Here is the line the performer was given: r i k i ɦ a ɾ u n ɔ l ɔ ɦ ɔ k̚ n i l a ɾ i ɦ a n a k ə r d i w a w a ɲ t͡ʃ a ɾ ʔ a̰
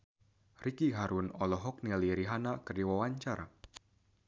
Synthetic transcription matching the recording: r i k i ɦ a ɾ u n ɔ l ɔ ɦ ɔ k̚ n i l i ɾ i ɦ a n a k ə r d i w a w a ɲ t͡ʃ a ɾ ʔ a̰